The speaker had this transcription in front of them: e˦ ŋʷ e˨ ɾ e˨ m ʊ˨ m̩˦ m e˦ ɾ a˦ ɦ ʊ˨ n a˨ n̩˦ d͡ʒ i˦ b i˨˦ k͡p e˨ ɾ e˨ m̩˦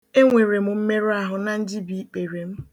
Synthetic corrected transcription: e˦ ŋʷ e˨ ɾ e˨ m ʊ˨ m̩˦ m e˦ ɾ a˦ ɦ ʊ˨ n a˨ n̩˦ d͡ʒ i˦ b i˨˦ k͡p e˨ ɾ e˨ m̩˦